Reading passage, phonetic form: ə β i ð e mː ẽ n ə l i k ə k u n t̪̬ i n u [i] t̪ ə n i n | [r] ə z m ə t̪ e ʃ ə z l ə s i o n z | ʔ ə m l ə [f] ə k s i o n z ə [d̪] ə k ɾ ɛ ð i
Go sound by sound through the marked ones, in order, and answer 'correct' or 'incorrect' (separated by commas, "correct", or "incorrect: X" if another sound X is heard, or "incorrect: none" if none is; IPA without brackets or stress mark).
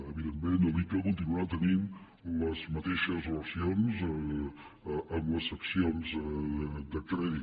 incorrect: a, incorrect: l, incorrect: s, correct